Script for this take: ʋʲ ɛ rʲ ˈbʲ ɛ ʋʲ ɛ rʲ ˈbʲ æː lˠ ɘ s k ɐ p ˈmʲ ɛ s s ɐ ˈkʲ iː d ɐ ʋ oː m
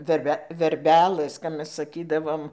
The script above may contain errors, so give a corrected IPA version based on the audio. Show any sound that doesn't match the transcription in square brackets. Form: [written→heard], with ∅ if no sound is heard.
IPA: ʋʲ ɛ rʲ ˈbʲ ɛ ʋʲ ɛ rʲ ˈbʲ æː lˠ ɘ s k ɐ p ˈmʲ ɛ s s ɐ ˈkʲ iː d ɐ ʋ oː m